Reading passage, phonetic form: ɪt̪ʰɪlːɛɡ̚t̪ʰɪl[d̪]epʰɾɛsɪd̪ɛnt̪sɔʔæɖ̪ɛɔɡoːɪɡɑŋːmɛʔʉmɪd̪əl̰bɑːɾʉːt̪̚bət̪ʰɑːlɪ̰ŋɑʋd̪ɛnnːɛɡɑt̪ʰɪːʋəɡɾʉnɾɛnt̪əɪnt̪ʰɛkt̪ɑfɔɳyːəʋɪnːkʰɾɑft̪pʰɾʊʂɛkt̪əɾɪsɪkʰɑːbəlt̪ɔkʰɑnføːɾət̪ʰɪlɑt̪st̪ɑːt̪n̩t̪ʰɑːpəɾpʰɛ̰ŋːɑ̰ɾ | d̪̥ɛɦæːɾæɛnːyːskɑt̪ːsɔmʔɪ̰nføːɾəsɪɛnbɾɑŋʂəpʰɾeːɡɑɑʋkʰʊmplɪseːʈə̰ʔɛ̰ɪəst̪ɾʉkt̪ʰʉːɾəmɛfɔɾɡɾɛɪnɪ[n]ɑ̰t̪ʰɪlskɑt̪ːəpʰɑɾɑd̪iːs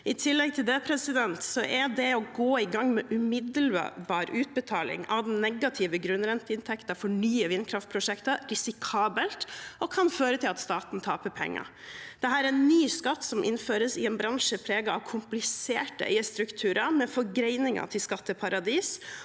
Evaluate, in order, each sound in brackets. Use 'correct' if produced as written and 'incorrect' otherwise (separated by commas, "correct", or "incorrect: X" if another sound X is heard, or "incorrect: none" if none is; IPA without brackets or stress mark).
correct, incorrect: ŋ